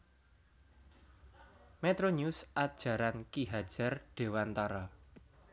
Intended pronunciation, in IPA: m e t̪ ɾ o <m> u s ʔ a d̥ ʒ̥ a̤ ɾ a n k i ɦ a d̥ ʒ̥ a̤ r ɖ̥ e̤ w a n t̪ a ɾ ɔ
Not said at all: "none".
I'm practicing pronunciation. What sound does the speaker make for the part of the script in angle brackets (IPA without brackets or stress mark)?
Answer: ɲ